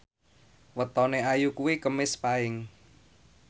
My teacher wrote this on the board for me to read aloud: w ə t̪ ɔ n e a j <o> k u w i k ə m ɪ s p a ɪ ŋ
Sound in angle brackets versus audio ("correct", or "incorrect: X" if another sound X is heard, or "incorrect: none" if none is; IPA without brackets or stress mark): incorrect: u